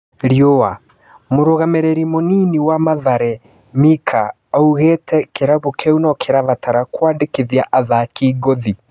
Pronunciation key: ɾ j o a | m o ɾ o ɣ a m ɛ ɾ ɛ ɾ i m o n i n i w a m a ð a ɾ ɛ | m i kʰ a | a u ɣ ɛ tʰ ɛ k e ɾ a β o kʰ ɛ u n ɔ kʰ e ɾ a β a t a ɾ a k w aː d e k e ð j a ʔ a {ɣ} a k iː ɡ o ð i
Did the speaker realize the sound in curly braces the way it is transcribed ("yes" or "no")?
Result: no